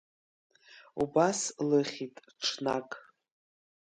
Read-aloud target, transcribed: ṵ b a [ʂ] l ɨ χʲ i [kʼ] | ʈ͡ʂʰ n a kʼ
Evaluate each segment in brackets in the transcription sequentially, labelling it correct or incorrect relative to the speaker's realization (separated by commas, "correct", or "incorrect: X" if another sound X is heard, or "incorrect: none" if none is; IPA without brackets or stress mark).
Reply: incorrect: s, incorrect: tʼ